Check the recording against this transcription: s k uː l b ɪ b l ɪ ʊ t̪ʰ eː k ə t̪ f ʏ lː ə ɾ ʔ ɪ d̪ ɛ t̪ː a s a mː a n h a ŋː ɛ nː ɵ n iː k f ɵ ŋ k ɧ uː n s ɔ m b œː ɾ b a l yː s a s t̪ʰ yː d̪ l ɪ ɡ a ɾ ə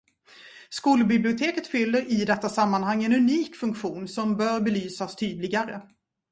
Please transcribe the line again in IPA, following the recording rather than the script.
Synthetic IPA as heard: s k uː l b ɪ b l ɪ ʊ t̪ʰ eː k ə t̪ f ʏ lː ə ɾ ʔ ɪ d̪ ɛ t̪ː a s a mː a n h a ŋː ɛ n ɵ n iː k f ɵ ŋ k ɧ uː n s ɔ m b œː ɾ b ɛ l yː s a s t̪ʰ yː d̪ l ɪ ɡ a ɾ ə